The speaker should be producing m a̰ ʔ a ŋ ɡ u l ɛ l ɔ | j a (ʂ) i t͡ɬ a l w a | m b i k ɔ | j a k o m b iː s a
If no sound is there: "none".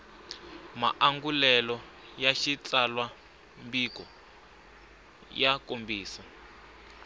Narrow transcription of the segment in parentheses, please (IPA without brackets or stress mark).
ʃ